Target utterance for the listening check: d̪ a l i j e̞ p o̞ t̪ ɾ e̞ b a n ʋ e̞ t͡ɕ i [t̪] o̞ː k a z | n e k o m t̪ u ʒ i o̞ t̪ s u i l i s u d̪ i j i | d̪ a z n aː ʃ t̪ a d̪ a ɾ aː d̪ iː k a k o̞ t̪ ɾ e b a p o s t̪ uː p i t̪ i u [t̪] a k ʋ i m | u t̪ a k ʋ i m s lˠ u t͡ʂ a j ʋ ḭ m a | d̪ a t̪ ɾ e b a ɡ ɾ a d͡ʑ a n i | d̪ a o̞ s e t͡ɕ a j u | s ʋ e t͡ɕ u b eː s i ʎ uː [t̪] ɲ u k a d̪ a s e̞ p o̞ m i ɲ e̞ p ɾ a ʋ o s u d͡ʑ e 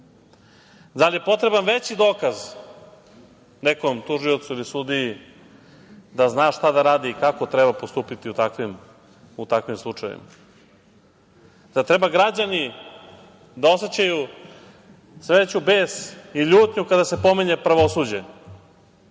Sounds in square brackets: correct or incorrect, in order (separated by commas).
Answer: incorrect, correct, correct